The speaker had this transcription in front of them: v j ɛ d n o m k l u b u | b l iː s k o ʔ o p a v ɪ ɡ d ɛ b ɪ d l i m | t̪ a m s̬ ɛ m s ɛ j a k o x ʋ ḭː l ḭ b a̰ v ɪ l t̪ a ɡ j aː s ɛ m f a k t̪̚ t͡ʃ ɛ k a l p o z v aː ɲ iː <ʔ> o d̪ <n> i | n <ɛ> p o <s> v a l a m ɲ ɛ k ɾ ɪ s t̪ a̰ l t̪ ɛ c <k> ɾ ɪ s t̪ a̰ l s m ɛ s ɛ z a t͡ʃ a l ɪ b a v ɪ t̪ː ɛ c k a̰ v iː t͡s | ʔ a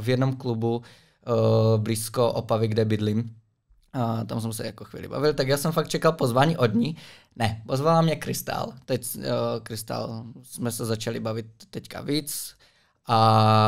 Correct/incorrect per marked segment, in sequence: correct, incorrect, correct, incorrect, correct

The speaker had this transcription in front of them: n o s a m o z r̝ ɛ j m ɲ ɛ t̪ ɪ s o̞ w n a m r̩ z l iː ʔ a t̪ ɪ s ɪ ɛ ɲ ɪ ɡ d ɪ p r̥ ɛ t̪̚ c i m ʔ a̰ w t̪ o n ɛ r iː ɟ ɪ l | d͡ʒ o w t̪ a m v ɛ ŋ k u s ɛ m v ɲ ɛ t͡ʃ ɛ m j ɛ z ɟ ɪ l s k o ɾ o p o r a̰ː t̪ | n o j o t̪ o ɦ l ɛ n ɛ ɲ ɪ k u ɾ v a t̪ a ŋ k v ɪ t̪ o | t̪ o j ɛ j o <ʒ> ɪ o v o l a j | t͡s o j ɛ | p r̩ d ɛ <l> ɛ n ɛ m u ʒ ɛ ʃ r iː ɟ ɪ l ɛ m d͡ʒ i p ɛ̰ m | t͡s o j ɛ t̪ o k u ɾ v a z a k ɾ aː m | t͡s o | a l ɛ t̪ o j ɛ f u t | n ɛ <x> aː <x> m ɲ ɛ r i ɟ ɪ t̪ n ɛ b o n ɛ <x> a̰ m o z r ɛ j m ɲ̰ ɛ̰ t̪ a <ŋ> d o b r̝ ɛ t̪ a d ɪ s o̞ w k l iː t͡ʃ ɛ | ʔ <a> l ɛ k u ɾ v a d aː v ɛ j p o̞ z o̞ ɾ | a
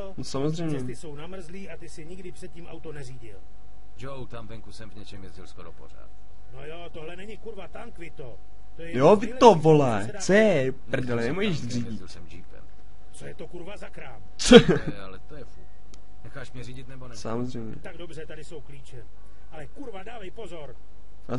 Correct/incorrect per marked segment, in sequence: incorrect, correct, correct, incorrect, incorrect, incorrect, correct

